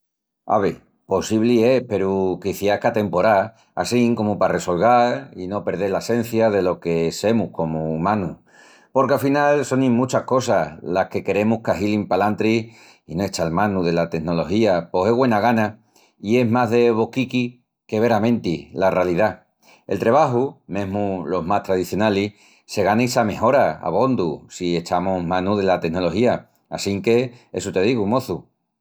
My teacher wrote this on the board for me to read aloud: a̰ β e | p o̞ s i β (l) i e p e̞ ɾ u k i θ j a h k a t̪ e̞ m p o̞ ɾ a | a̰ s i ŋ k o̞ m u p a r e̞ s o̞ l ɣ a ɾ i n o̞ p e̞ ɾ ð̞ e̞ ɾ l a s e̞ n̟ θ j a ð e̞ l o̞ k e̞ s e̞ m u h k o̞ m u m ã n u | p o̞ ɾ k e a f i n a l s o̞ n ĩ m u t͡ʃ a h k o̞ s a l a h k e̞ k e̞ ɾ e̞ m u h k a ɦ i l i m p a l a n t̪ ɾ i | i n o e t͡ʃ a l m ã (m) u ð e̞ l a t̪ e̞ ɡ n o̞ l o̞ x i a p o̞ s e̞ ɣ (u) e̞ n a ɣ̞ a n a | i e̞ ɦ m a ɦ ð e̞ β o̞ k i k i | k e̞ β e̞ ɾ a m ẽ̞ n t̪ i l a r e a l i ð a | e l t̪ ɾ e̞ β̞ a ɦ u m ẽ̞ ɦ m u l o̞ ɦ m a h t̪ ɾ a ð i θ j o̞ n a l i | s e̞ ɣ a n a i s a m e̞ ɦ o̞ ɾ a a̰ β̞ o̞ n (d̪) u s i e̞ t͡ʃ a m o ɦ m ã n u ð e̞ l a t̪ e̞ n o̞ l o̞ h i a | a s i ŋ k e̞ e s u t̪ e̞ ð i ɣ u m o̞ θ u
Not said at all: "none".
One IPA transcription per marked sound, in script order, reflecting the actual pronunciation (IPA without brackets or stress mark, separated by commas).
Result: l, n, w, d̪